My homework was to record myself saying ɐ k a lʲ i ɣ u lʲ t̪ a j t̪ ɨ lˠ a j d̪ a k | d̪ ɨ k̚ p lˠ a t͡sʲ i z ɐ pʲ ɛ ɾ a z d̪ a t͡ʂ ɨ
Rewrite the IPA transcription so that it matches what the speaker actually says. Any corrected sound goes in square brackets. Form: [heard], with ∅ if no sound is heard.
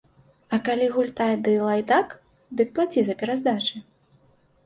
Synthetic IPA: ɐ k a lʲ i ɣ u lʲ t̪ a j [d̪] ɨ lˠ a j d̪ a k | d̪ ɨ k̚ p lˠ a t͡sʲ i z ɐ pʲ ɛ ɾ a z d̪ a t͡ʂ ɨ